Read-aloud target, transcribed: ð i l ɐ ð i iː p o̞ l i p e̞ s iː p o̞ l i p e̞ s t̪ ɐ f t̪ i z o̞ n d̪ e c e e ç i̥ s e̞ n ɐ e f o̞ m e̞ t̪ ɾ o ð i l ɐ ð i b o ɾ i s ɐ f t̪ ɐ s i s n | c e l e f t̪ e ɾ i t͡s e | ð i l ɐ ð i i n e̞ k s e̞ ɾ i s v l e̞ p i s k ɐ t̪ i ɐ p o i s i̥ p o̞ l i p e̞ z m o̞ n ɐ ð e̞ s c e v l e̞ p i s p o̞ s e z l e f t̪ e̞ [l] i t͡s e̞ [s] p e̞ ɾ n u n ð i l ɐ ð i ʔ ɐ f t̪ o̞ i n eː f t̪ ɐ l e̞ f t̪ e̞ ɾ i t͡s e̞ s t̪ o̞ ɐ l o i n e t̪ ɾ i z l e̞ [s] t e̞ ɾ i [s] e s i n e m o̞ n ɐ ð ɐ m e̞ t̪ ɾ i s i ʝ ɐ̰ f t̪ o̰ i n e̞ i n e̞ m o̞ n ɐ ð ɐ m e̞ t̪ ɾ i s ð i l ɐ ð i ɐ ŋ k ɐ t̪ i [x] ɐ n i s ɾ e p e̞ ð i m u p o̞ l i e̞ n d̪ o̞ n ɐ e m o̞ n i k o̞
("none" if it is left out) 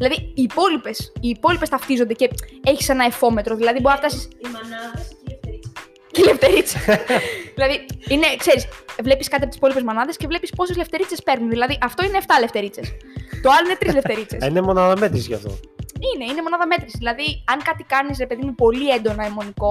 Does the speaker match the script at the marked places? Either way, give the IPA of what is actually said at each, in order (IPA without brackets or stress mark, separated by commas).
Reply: ɾ, s, f, t͡s, k